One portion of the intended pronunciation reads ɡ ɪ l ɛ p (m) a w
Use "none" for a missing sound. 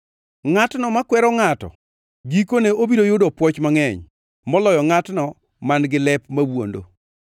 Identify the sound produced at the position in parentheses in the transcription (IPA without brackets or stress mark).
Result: m